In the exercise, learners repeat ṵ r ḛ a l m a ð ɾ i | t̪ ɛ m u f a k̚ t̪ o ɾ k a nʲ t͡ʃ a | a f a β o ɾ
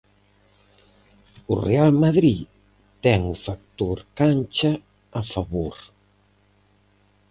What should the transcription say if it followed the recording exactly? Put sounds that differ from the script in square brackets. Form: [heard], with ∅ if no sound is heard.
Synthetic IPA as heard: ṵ r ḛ a l m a ð ɾ i | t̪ ɛ [ŋ] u f a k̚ t̪ o ɾ k a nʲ t͡ʃ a | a f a β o ɾ

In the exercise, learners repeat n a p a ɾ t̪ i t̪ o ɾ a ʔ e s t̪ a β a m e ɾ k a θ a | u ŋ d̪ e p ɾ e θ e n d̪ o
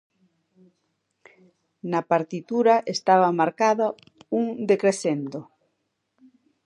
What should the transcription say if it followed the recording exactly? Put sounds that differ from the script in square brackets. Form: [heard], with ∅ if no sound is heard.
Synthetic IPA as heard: n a p a ɾ t̪ i t̪ [u] ɾ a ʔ e s t̪ a β a m [a] ɾ k a [ð] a | u ŋ d̪ e [k] ɾ e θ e n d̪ o

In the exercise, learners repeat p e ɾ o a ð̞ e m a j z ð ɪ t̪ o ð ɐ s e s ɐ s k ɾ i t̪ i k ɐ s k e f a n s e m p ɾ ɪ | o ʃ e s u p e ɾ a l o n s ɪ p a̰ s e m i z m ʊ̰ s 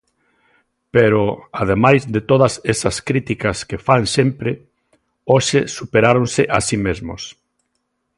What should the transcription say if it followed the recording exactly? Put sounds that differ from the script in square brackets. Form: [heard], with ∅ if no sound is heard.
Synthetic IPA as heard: p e ɾ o a ð̞ e m a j z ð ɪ t̪ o ð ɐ s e s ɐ s k ɾ i t̪ i k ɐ s k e f a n s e m p ɾ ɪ | o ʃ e s u p e ɾ a [ɾ] o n s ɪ [ʔ] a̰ s [i] m [e] z m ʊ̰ s

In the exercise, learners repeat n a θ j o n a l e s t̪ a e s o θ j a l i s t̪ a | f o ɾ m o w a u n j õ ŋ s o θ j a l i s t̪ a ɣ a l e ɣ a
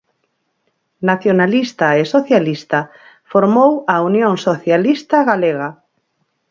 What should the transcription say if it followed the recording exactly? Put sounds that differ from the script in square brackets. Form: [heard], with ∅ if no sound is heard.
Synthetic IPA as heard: n a θ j o n a l [i] s t̪ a e s o θ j a l i s t̪ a | f o ɾ m o w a u n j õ ŋ s o θ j a l i s t̪ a ɣ a l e ɣ a

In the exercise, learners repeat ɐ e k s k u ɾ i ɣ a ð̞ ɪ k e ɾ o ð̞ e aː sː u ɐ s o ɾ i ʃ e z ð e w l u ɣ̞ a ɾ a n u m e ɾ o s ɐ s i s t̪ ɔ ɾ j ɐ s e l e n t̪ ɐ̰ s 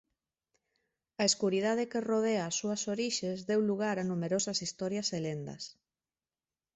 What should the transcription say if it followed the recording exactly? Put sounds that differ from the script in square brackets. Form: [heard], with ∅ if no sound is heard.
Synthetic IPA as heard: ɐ e [∅] s k u ɾ i [ð] a ð̞ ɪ k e [r] o ð̞ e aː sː u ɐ s o ɾ i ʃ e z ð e w l u ɣ̞ a ɾ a n u m e ɾ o s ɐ s i s t̪ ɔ ɾ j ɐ s e l e n [d̪] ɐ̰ s

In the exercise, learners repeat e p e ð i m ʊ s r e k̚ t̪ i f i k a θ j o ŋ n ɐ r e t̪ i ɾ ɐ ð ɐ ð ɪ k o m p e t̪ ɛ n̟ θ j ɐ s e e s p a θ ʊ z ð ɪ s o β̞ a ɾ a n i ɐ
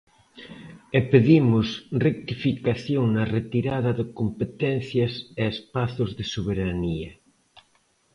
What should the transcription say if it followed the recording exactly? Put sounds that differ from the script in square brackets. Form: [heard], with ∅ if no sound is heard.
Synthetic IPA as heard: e p e ð i m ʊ s r e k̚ t̪ i f i k a θ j o ŋ n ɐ r e t̪ i ɾ [a] ð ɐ ð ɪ k o m p e t̪ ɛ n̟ θ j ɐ s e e s p a θ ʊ z ð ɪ s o β̞ [e] ɾ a n i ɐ

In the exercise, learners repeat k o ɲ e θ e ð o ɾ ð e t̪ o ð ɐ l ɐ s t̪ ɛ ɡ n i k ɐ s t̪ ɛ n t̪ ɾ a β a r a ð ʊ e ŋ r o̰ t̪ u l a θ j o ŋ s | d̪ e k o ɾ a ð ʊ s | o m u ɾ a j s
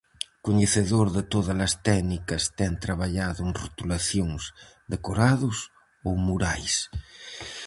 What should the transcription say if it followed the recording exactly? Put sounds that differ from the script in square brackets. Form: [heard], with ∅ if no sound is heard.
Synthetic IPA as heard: k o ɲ e θ e ð o ɾ ð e t̪ o ð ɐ l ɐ s t̪ ɛ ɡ n i k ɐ s t̪ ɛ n t̪ ɾ a β a [ʎ] a ð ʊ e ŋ r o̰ t̪ u l a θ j o ŋ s | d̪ e k o ɾ a ð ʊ s | o m u ɾ a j s

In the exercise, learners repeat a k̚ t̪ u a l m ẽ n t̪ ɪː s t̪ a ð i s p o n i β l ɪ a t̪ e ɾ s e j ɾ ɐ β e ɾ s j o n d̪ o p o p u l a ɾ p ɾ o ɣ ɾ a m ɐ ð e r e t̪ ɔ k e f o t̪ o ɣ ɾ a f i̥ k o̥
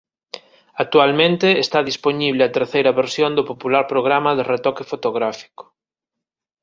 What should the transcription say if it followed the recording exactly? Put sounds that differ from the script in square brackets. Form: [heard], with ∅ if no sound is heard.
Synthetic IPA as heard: a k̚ t̪ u a l m ẽ n t̪ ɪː s t̪ a ð i s p o n i β l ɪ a t̪ e ɾ [θ] e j ɾ ɐ β e ɾ s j o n d̪ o p o p u l a ɾ p ɾ o ɣ ɾ a m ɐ ð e r e t̪ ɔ k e f o t̪ o ɣ ɾ a f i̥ k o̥

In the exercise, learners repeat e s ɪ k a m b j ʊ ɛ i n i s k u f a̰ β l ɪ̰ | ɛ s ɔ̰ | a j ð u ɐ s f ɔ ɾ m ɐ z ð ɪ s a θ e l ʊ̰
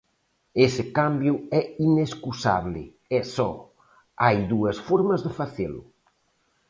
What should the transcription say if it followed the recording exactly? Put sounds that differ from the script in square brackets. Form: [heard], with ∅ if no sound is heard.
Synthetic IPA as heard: e s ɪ k a m b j ʊ ɛ i n [e] s k u [s] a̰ β l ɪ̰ | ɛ s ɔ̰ | a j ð u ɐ s f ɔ ɾ m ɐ z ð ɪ [f] a θ e l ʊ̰

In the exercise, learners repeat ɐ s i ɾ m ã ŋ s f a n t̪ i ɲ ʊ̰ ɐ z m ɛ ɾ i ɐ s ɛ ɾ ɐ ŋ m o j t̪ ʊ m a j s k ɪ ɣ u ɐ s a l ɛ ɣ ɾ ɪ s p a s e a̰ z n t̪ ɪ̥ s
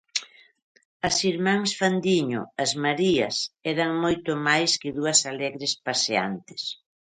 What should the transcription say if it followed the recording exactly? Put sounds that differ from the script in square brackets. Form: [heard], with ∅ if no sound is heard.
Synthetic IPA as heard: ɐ s i ɾ m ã ŋ s f a n [d̪] i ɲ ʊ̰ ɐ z m [a] ɾ i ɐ s ɛ ɾ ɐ ŋ m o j t̪ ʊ m a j s k ɪ [ð] u ɐ s a l ɛ ɣ ɾ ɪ s p a s e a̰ [∅] n t̪ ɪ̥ s

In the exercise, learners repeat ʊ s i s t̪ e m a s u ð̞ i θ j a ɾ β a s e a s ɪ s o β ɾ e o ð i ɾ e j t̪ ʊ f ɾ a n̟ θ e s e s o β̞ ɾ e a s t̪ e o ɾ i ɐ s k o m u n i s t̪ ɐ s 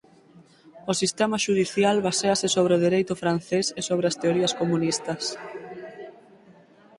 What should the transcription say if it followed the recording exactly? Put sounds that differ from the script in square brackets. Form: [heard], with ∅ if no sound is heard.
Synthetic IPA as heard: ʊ s i s t̪ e m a [ʃ] u ð̞ i θ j a [l] β a s e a s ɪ s o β ɾ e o ð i ɾ e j t̪ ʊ f ɾ a n̟ θ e s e s o β̞ ɾ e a s t̪ e o ɾ i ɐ s k o m u n i s t̪ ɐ s

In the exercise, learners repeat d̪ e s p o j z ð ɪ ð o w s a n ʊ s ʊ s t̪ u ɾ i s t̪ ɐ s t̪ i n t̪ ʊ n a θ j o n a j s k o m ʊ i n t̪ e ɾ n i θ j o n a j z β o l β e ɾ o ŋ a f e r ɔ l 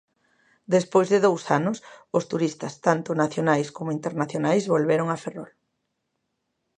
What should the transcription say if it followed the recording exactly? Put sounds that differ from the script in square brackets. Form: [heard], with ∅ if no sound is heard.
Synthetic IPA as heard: d̪ e s p o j z ð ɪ ð o w s a n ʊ s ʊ s t̪ u ɾ i s t̪ ɐ s t̪ [a] n t̪ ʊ n a θ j o n a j s k o m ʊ i n t̪ e ɾ n [a] θ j o n a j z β o l β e ɾ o ŋ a f e r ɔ l

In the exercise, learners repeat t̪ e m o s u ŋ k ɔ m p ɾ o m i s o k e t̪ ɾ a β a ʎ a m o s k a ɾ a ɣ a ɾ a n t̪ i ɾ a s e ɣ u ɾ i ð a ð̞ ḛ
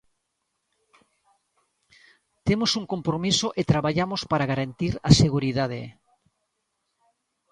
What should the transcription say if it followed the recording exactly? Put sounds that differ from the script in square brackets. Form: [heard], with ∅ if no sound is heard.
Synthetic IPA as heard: t̪ e m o s u ŋ k [o] m p ɾ o m i s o [ʔ] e t̪ ɾ a β a ʎ a m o s [p] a ɾ a ɣ a ɾ a n t̪ i ɾ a s e ɣ u ɾ i ð a ð̞ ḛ

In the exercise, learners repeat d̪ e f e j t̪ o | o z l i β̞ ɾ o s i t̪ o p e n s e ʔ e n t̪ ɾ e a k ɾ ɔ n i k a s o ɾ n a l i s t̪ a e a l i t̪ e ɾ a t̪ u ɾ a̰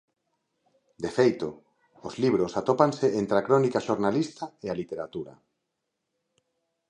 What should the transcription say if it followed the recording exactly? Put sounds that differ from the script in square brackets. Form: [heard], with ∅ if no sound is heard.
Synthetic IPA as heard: d̪ e f e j t̪ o | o z l i β̞ ɾ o s [a] t̪ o p [a] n s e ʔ e n t̪ ɾ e a k ɾ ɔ n i k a [ʃ] o ɾ n a l i s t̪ a e a l i t̪ e ɾ a t̪ u ɾ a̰

